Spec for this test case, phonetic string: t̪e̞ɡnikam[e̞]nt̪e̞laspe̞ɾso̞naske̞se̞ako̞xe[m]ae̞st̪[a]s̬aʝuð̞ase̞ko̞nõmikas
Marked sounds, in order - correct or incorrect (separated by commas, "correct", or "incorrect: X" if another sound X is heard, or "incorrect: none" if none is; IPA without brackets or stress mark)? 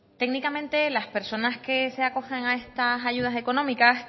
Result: incorrect: ẽ̞, incorrect: ŋ, correct